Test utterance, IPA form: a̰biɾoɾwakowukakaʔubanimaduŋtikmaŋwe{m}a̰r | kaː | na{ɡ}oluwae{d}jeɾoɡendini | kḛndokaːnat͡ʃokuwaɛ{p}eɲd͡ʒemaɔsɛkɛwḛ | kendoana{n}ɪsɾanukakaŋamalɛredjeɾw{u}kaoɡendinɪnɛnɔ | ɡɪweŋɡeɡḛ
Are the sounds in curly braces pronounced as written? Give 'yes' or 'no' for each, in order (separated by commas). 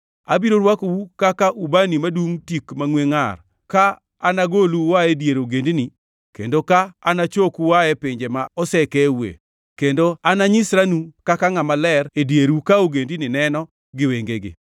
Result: no, yes, yes, yes, no, yes